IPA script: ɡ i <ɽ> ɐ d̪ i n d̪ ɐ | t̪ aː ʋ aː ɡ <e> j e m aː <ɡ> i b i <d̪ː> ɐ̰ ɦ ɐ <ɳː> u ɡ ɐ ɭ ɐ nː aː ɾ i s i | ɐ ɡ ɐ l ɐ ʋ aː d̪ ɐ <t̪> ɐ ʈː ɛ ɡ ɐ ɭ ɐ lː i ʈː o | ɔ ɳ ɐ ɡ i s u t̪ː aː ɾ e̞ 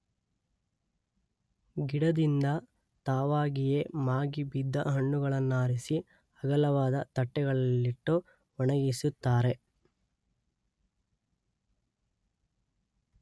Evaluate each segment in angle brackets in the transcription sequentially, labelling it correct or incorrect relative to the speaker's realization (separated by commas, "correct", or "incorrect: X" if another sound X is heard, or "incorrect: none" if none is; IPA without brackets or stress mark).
correct, incorrect: i, correct, correct, correct, correct